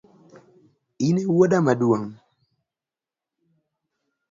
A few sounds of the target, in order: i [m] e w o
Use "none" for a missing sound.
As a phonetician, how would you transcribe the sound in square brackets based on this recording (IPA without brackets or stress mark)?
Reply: n